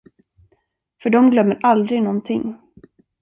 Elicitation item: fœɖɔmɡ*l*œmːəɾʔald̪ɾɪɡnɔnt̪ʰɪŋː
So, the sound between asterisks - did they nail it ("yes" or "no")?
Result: yes